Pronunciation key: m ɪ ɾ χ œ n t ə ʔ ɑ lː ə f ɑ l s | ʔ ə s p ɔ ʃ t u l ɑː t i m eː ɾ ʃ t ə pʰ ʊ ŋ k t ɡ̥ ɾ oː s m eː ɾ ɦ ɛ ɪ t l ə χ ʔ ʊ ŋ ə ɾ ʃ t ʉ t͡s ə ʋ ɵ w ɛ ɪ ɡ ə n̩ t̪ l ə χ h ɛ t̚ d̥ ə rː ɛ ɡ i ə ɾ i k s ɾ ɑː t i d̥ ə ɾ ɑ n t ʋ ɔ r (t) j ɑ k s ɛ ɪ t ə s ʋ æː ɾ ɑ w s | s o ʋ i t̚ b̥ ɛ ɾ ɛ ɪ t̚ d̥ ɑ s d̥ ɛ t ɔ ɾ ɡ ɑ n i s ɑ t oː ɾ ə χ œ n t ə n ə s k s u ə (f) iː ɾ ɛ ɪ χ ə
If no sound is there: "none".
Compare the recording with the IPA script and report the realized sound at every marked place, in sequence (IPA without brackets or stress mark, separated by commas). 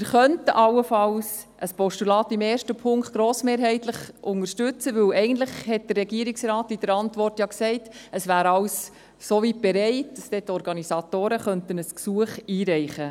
t, χ